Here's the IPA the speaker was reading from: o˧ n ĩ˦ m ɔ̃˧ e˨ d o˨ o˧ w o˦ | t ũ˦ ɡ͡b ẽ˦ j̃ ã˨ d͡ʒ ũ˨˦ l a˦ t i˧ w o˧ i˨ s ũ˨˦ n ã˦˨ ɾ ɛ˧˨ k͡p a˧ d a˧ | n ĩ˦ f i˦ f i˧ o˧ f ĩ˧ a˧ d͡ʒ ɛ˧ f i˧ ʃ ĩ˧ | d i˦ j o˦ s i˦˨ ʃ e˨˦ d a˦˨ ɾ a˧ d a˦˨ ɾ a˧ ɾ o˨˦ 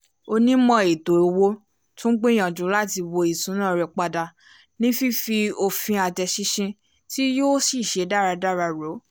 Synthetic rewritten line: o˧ n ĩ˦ m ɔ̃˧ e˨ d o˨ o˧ w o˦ | t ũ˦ ɡ͡b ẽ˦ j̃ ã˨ d͡ʒ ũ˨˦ l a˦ t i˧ w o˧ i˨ s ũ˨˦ n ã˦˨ ɾ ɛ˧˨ k͡p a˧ d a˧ | n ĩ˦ f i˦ f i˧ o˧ f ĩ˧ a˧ d͡ʒ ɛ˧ ʃ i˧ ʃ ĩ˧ | t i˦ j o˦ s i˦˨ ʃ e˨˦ d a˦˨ ɾ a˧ d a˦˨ ɾ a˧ ɾ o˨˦